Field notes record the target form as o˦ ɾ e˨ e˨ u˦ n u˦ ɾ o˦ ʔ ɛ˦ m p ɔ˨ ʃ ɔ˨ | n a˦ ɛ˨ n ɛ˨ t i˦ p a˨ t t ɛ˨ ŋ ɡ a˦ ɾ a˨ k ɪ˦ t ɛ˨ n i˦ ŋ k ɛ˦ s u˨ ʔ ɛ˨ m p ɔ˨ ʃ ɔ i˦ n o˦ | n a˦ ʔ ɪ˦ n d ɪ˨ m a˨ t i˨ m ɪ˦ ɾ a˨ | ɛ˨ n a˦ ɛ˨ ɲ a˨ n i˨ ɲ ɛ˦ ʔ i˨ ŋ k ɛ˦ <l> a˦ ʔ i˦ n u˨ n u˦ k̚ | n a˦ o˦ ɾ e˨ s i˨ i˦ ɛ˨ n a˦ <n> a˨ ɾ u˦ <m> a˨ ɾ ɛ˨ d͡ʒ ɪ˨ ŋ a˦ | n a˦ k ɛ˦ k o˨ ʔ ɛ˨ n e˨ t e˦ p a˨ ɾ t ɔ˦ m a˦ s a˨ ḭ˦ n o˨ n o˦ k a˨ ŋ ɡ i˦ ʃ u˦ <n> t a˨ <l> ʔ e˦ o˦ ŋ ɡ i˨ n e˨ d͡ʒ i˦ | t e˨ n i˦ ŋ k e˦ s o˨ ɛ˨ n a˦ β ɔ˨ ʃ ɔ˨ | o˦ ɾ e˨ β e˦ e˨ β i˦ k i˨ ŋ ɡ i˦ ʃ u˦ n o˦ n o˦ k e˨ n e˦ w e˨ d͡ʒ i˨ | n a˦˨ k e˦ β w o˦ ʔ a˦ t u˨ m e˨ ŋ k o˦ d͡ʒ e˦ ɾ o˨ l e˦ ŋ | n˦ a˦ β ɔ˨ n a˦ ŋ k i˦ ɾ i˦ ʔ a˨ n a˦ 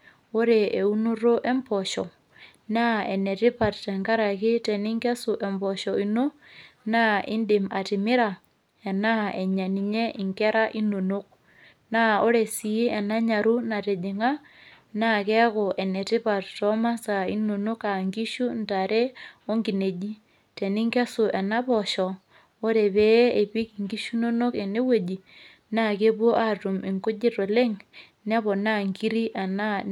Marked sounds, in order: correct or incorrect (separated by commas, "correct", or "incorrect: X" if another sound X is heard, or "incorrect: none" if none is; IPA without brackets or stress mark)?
incorrect: ɾ, incorrect: ɲ, incorrect: n, correct, incorrect: ɾ